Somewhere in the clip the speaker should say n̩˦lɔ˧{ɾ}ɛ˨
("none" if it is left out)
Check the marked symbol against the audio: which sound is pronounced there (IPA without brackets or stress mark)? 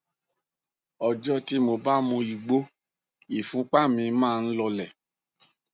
l